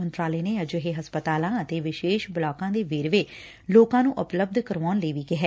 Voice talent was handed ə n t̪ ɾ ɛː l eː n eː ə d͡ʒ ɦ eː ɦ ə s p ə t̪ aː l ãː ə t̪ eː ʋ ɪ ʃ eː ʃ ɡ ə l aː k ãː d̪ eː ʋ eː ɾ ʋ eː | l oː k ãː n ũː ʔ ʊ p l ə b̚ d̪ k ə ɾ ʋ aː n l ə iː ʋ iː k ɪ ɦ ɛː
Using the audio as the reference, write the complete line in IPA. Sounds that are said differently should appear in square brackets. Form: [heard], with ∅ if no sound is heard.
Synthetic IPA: ə n t̪ ɾ [aː] l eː n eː ə d͡ʒ ɦ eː ɦ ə s p ə t̪ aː l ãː ə t̪ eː ʋ ɪ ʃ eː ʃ [b] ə l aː k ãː d̪ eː ʋ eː ɾ ʋ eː | l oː k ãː n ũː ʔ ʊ p l ə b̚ d̪ k ə ɾ ʋ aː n l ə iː ʋ iː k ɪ ɦ ɛː